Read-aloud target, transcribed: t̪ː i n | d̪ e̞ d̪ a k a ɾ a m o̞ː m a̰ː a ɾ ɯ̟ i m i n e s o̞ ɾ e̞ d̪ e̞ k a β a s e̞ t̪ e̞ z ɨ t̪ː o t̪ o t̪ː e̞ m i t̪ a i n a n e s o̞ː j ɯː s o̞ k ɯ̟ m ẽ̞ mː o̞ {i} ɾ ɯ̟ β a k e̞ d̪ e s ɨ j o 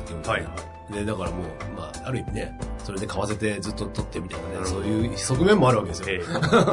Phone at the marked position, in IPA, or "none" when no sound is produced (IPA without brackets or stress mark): a